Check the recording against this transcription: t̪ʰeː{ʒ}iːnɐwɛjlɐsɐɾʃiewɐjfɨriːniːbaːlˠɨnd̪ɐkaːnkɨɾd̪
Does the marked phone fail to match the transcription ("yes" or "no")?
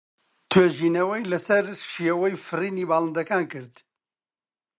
no